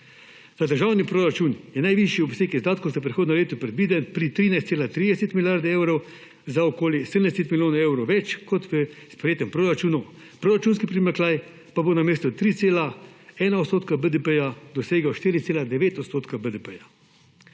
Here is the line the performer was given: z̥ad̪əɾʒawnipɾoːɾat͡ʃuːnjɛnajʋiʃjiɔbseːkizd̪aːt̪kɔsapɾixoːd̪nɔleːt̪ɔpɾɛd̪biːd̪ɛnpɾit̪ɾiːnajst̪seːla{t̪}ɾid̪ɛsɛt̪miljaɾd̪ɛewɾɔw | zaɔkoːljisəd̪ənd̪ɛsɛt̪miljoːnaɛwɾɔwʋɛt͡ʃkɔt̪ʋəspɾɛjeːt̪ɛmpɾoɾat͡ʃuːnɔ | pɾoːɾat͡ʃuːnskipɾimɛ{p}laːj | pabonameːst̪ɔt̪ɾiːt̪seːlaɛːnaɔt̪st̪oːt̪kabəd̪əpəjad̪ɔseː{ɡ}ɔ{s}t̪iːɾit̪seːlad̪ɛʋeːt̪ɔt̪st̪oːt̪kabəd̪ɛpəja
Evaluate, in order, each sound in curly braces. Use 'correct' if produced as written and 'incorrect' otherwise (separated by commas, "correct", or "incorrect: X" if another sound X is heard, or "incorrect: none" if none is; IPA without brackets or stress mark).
correct, incorrect: k, correct, incorrect: ʃ